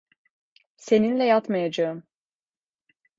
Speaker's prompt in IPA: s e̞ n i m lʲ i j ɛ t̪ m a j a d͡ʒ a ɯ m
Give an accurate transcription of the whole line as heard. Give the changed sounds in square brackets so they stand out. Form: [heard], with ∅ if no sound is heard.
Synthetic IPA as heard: s e̞ n i [n] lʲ [ɛ] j [a] t̪ m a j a d͡ʒ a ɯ m